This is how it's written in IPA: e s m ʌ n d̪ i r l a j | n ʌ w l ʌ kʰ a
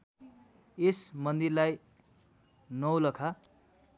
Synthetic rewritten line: e s m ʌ n d̪ i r l a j | n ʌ w l ʌ kʰ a